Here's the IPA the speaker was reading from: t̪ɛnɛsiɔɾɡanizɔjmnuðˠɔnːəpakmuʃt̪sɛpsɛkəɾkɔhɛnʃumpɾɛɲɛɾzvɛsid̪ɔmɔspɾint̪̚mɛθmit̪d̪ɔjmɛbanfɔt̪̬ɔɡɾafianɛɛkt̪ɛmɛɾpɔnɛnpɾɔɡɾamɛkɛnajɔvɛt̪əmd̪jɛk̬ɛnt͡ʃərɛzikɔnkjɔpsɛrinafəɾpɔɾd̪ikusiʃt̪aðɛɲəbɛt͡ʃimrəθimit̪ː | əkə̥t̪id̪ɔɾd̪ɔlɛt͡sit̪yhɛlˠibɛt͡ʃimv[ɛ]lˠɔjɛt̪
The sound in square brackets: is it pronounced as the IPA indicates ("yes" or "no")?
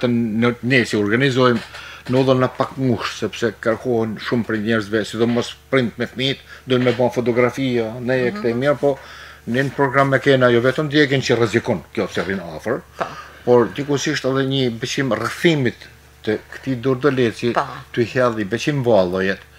no